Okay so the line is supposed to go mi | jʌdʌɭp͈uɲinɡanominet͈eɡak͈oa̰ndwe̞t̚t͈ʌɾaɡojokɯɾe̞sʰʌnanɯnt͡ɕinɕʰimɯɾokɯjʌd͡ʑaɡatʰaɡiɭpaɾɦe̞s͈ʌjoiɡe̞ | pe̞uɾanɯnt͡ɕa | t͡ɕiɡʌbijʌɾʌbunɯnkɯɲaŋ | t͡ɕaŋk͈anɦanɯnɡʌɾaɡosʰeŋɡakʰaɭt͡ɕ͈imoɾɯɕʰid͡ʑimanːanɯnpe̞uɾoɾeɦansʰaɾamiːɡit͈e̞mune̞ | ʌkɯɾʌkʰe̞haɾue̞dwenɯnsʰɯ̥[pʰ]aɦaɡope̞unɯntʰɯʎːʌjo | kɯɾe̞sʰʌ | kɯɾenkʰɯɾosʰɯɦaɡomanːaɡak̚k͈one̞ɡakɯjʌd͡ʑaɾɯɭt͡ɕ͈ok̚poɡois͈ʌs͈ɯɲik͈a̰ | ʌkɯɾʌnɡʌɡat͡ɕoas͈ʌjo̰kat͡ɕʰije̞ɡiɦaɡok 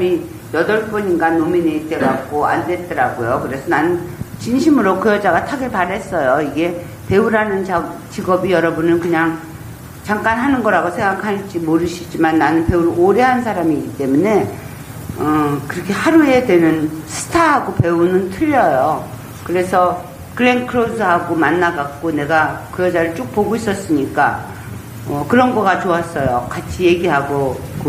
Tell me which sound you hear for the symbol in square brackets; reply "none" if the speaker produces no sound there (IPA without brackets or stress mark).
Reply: tʰ